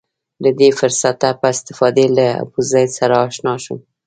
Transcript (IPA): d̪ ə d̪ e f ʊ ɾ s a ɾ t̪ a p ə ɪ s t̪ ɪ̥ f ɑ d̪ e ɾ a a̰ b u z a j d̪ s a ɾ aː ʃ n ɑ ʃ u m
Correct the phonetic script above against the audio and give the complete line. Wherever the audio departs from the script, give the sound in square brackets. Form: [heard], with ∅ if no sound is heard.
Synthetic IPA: d̪ ə d̪ e f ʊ ɾ s a [∅] t̪ a p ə ɪ s t̪ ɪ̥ f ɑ d̪ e [l] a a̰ b u z a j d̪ s a ɾ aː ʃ n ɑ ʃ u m